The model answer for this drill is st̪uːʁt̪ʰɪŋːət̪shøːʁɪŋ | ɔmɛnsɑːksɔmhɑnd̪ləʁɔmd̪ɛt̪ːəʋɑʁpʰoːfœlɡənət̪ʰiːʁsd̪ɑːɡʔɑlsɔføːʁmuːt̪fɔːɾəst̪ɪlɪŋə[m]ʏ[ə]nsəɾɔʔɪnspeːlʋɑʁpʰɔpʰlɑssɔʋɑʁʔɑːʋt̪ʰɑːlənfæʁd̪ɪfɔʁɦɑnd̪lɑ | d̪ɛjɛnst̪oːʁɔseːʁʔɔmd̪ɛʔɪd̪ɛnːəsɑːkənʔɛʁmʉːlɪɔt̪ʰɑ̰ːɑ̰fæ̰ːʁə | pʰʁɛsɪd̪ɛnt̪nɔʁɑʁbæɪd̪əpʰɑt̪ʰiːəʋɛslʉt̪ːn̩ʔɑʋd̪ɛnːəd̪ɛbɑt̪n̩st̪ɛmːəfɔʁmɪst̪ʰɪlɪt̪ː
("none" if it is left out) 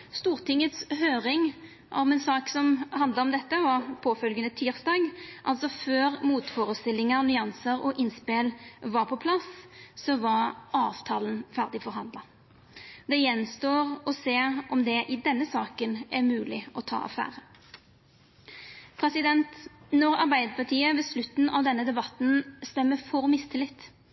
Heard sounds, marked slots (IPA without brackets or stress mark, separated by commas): n, ɑ